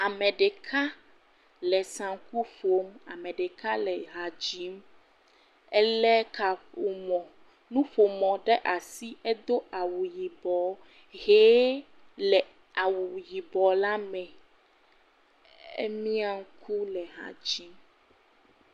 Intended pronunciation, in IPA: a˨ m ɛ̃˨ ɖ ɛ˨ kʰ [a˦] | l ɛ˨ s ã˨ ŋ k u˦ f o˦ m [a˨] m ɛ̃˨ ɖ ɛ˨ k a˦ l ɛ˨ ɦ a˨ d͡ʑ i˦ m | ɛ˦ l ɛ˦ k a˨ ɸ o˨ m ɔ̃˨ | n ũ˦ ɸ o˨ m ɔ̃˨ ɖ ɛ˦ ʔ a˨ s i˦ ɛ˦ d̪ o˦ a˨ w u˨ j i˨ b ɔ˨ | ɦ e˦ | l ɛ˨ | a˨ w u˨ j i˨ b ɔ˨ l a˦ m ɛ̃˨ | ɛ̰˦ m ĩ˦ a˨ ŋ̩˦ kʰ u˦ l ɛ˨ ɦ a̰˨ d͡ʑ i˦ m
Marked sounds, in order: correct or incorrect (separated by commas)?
correct, correct